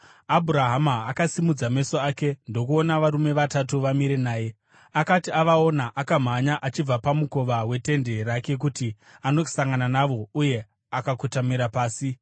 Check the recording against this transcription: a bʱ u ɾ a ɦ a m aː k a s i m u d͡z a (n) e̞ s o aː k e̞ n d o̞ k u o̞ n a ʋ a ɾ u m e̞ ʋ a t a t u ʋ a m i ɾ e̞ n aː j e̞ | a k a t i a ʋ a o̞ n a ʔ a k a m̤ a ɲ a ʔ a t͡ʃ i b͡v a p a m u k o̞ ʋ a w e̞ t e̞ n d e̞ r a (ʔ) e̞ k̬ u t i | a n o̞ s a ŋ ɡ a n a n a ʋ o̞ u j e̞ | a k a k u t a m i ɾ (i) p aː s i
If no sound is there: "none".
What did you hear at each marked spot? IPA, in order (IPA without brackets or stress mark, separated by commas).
m, k, a